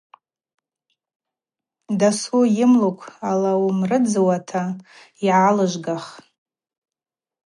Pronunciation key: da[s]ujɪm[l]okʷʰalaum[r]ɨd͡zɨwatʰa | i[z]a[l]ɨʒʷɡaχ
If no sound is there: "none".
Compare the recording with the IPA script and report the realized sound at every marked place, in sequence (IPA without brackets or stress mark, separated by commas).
s, l, r, ʕ, l